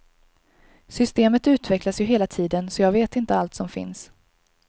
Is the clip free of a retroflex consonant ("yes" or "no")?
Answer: yes